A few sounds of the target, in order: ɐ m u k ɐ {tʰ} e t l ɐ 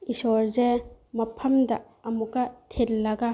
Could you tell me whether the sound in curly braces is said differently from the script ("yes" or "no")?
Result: no